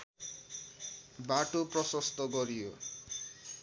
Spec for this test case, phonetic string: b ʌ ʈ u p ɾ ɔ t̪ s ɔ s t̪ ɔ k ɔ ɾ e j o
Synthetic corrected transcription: b a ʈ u p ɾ ɔ s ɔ s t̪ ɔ ɡ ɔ ɾ i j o